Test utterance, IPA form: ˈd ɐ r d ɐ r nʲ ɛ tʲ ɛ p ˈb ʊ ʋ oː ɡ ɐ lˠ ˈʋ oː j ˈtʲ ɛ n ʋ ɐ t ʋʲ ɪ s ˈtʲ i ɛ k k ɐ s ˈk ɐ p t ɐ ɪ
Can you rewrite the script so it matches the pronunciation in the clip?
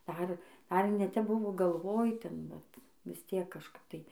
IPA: ˈd ɐ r d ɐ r nʲ ɛ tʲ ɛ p ˈb ʊ ʋ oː ɡ ɐ lˠ ˈʋ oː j ˈtʲ ɛ n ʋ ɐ t ʋʲ ɪ s ˈtʲ i ɛ k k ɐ ʃ ˈk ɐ p t ɐ ɪ